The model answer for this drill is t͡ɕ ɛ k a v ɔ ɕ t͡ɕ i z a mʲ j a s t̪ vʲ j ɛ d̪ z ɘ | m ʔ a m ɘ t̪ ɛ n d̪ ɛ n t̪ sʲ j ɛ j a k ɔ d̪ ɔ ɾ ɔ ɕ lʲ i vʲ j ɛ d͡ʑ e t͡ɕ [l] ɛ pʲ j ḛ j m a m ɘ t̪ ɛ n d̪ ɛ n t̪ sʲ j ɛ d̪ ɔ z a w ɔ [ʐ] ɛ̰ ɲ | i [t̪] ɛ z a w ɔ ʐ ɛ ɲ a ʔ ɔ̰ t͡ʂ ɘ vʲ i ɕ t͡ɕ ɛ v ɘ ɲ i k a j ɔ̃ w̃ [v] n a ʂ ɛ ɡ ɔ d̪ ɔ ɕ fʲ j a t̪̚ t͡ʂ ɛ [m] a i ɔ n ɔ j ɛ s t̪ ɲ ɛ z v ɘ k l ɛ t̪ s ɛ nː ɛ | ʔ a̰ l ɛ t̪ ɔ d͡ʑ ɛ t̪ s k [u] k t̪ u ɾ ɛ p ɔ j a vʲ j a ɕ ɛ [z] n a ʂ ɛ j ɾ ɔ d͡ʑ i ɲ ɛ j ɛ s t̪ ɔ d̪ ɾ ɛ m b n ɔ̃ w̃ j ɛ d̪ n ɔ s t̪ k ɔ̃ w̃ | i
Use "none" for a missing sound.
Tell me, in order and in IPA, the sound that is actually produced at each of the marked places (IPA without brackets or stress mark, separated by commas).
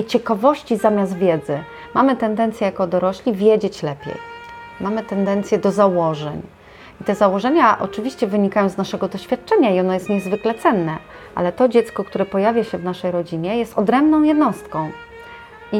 l, ʐ, t̪, z, ɲ, ɔ, v